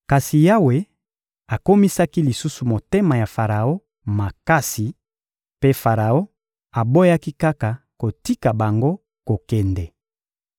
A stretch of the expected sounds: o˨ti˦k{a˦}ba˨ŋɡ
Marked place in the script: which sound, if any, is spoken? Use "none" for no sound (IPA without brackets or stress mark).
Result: a˨